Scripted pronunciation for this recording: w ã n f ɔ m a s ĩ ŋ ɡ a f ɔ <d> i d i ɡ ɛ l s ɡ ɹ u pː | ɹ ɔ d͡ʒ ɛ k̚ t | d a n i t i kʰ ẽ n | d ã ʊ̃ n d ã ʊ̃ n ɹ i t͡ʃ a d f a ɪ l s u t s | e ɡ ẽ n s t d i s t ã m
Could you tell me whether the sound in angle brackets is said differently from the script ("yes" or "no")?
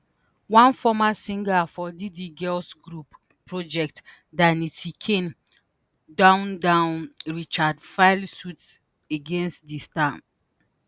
no